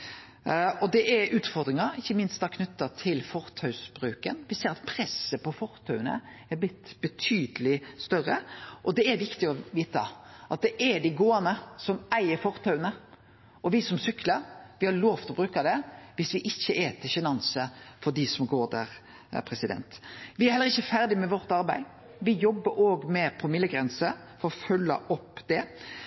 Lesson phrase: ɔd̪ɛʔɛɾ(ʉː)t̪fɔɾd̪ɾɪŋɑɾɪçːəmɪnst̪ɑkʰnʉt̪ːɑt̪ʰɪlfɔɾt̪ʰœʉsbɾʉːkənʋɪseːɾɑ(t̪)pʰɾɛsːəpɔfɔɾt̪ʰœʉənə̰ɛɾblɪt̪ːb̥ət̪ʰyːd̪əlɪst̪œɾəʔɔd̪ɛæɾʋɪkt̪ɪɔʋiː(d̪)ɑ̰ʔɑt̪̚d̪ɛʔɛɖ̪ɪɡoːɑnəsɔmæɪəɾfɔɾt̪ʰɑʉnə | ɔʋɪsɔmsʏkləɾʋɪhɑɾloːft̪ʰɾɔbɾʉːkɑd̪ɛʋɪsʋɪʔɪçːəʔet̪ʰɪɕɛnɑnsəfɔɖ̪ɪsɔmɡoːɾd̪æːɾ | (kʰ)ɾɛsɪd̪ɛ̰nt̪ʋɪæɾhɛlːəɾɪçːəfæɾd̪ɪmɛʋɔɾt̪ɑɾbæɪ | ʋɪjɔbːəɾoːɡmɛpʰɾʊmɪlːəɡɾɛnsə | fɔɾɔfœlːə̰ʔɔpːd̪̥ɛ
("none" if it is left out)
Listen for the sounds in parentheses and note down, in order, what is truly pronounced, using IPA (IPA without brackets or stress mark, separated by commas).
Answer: ʉː, t̪, t̪, pʰ